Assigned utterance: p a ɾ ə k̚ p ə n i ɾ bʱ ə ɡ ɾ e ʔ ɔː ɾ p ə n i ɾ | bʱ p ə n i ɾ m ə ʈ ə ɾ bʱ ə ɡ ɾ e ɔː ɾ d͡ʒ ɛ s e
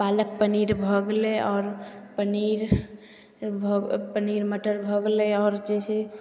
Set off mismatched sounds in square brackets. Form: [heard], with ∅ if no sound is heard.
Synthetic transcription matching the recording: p a [l] ə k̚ p ə n i ɾ bʱ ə ɡ [l] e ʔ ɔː ɾ p ə n i ɾ | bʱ p ə n i ɾ m ə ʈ ə ɾ bʱ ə ɡ [l] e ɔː ɾ d͡ʒ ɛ s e